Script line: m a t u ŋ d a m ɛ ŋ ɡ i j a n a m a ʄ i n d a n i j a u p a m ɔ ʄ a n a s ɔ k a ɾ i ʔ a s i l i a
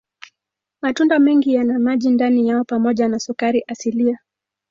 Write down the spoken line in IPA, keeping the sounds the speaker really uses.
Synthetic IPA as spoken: m a t u n d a m ɛ ŋ ɡ i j a n a m a ʄ i n d a n i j a ɔ p a m ɔ ʄ a n a s u k a ɾ i ʔ a s i l i a